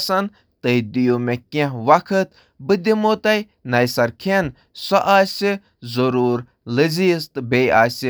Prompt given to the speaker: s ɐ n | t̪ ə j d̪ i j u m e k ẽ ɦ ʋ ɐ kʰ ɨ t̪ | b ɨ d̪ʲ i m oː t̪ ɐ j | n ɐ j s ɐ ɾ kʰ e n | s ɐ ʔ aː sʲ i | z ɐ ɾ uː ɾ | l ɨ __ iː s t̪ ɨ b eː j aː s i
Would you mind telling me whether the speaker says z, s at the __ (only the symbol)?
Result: z